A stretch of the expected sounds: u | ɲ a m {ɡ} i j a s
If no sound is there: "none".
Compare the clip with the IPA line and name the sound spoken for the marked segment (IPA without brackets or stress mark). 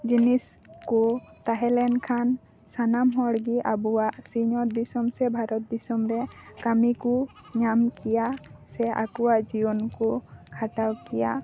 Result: k